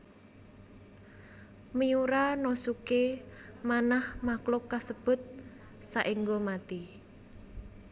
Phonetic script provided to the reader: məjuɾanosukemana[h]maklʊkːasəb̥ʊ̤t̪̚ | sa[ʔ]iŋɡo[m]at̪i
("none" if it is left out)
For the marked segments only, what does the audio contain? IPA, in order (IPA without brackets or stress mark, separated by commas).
h, ʔ, m